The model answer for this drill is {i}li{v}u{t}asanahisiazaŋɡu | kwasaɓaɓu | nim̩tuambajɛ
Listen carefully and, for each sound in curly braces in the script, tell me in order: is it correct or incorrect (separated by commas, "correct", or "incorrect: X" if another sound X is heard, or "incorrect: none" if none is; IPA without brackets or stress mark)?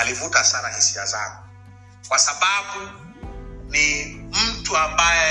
incorrect: a, correct, correct